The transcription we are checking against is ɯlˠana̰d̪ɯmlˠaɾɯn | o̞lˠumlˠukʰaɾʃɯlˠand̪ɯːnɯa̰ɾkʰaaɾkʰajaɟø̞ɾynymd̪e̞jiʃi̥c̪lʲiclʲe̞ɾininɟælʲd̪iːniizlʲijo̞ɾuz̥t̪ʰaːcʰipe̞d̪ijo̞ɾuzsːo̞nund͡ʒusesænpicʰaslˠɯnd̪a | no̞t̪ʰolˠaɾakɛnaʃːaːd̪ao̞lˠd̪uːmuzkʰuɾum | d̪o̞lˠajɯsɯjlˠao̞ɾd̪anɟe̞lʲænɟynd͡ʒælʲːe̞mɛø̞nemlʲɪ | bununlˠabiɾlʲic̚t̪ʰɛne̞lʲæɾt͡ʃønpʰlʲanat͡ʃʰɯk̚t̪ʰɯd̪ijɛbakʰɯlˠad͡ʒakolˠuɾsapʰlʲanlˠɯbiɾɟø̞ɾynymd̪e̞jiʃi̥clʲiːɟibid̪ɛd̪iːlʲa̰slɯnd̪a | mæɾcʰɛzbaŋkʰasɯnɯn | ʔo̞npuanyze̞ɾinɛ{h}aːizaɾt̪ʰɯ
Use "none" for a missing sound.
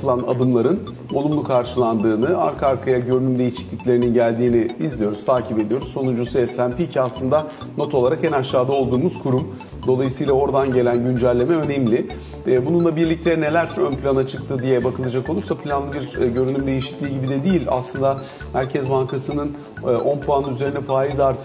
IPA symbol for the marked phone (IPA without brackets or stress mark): f